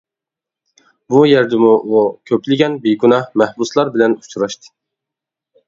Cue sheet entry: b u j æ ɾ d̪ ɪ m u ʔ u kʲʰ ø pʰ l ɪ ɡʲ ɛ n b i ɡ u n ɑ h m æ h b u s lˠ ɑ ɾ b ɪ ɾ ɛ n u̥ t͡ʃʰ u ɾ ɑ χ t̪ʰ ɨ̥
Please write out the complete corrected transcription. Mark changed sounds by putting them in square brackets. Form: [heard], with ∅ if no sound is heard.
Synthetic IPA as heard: b u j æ ɾ d̪ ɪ m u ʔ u kʲʰ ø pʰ l ɪ ɡʲ ɛ n b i ɡ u n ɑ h m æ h b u s lˠ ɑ ɾ b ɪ [l] ɛ n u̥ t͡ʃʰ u ɾ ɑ [ʃ] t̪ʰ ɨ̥